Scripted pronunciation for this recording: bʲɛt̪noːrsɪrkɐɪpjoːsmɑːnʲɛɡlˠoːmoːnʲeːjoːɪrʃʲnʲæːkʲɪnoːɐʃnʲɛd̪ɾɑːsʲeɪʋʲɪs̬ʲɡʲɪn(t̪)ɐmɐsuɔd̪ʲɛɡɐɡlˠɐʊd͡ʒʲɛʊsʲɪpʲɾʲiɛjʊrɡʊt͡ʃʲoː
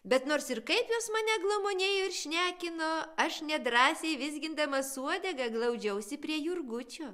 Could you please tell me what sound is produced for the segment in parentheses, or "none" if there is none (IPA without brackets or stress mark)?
d̪